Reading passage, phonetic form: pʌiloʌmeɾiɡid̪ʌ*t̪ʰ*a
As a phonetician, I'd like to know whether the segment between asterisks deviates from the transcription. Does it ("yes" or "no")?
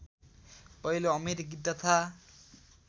no